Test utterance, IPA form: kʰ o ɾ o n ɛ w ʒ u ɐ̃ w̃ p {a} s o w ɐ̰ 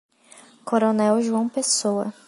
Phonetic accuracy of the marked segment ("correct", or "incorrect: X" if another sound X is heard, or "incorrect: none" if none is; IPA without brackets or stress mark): incorrect: e